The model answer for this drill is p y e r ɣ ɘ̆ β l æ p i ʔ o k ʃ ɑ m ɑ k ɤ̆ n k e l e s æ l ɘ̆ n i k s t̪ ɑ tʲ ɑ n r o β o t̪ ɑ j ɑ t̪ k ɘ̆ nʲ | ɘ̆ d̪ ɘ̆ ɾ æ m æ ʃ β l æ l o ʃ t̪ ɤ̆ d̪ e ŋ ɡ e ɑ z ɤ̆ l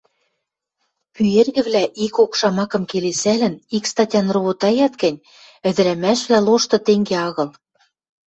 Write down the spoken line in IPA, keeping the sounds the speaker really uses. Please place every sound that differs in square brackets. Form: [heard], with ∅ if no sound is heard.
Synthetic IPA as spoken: p y e r ɣ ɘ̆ β l æ [ʔ] i [k] o k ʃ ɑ m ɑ k ɤ̆ [m] k e l e s æ l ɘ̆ n i k s t̪ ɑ tʲ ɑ n r o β o t̪ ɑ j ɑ t̪ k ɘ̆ nʲ | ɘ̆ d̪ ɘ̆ ɾ æ m æ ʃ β l æ l o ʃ t̪ ɤ̆ [t̪] e ŋ ɡ e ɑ [ɣ] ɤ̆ l